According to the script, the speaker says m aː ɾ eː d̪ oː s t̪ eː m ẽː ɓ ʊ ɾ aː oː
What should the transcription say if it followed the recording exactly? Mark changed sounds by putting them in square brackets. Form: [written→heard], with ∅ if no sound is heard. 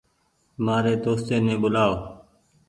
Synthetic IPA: m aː ɾ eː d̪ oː s t̪ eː [m→n] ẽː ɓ ʊ [ɾ→l] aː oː